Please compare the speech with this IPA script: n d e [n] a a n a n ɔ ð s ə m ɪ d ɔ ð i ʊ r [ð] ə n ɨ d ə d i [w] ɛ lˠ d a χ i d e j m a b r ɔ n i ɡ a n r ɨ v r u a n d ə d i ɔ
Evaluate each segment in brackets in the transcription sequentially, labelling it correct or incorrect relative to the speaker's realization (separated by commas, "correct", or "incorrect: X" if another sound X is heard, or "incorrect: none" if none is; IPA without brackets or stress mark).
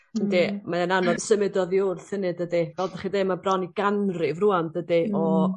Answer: incorrect: m, incorrect: θ, incorrect: v